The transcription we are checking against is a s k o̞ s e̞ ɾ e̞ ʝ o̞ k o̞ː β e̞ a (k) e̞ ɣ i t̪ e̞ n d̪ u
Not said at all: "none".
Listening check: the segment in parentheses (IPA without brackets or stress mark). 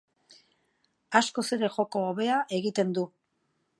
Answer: ʔ